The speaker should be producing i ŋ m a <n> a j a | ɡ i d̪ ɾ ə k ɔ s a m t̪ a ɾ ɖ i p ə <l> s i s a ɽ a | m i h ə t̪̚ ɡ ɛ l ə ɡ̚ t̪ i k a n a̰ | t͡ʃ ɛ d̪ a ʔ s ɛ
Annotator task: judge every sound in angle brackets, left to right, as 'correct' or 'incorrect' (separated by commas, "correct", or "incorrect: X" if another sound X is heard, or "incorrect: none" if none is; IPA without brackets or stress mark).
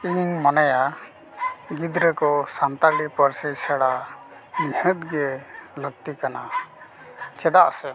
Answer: correct, incorrect: ɾ